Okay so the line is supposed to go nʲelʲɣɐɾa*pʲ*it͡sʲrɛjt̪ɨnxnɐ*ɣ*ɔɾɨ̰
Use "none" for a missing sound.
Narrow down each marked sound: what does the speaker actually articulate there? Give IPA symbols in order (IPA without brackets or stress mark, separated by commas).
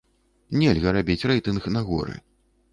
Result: bʲ, ɣ